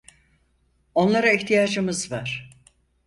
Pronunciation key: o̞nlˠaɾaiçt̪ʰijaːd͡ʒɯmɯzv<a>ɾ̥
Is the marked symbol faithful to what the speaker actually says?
yes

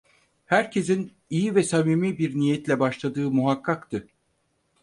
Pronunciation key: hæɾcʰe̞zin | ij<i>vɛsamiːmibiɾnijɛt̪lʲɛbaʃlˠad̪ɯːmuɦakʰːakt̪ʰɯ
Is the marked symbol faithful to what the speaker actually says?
yes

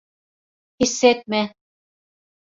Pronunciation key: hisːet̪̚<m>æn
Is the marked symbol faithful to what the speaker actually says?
yes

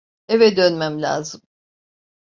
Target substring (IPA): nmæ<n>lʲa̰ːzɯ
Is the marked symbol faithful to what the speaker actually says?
no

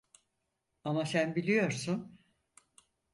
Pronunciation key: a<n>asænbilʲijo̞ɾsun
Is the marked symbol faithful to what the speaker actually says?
no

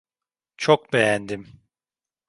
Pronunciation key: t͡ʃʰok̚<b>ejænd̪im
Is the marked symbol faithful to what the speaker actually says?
yes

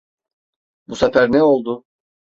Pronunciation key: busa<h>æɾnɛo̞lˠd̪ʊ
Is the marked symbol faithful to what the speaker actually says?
no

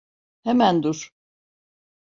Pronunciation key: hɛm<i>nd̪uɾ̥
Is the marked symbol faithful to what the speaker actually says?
no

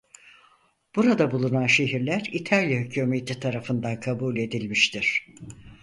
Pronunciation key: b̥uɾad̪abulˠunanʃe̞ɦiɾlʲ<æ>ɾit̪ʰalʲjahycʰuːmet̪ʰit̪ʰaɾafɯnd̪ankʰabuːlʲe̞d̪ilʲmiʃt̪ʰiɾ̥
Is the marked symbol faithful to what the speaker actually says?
yes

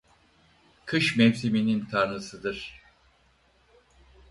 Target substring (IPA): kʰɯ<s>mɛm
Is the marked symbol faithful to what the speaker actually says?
no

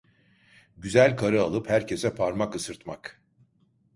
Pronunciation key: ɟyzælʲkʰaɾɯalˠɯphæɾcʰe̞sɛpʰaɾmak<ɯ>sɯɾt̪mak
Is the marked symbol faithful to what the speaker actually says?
yes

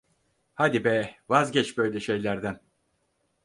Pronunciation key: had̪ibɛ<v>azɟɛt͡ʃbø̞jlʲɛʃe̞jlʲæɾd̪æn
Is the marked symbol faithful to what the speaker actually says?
yes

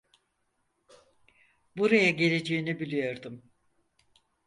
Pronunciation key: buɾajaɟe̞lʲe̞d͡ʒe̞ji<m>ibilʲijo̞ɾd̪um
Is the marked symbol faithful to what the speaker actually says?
no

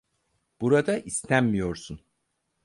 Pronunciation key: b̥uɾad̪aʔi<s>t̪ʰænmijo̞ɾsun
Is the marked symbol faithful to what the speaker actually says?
yes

